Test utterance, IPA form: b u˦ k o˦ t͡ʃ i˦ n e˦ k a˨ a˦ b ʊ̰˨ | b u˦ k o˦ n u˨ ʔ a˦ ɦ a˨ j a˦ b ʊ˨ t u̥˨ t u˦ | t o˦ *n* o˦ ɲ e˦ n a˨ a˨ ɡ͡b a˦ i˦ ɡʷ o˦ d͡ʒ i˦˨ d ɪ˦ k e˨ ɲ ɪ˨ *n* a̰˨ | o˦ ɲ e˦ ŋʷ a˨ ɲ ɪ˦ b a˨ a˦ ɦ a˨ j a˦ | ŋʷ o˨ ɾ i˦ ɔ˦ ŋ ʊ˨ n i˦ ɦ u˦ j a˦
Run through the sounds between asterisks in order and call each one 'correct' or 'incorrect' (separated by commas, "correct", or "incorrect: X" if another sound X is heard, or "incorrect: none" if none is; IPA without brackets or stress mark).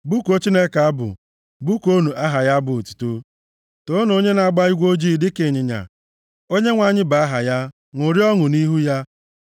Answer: correct, incorrect: ɲ